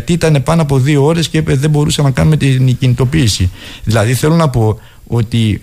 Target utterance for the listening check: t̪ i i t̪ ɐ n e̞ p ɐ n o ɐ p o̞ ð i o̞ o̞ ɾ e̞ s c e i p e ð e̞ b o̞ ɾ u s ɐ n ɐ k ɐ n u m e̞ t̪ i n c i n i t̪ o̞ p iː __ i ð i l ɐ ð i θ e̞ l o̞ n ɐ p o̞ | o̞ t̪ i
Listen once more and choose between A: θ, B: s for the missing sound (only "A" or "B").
B